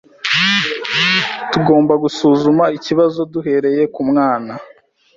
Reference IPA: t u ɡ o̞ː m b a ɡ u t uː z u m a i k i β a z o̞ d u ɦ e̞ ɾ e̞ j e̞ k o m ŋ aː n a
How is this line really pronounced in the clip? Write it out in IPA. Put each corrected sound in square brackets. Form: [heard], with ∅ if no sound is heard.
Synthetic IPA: t u ɡ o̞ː m b a ɡ u [s] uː z u m a i [c] i β a z o̞ d u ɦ e̞ ɾ e̞ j e̞ k [u] m ŋ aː n a